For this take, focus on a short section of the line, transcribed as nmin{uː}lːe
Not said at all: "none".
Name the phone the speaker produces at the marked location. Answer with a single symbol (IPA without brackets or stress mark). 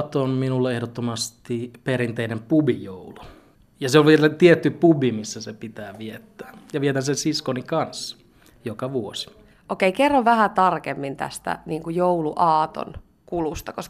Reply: u